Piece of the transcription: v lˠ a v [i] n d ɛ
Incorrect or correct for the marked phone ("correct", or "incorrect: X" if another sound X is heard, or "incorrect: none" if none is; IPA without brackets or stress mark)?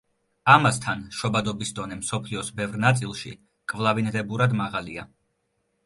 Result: correct